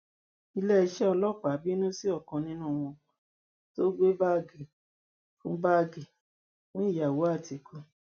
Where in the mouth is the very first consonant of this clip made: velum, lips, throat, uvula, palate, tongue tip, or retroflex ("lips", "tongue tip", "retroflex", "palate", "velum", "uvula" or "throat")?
tongue tip